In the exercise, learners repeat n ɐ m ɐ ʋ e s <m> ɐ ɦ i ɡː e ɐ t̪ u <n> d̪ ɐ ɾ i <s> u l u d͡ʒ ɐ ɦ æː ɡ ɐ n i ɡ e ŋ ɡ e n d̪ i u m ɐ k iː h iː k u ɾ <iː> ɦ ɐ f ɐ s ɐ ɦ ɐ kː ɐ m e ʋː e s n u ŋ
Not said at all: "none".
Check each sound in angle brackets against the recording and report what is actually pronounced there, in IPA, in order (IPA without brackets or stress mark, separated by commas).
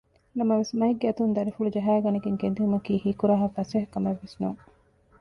m, n, f, aː